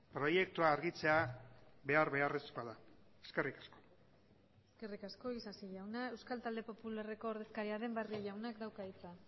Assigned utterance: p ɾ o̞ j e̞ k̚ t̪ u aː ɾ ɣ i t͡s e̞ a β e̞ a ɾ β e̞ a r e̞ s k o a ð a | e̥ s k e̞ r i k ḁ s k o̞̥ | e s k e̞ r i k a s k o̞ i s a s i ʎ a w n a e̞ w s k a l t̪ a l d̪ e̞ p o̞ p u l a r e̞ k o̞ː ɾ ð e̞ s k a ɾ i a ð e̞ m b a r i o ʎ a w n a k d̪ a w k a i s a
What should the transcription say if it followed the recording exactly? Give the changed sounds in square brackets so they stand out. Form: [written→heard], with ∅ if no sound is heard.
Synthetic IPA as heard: p ɾ o̞ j e̞ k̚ t̪ u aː ɾ ɣ i t͡s e̞ a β e̞ a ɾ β e̞ a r e̞ s k o a ð a | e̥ s k e̞ r i k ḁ s k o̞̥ | e s k e̞ r i k a s k o̞ i s a s i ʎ a w n a e̞ w s k a l t̪ a l d̪ e̞ p o̞ p u l a r e̞ k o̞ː ɾ ð e̞ s k a ɾ i a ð e̞ m b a r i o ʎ a w n a k d̪ a w k a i [s→t͡s] a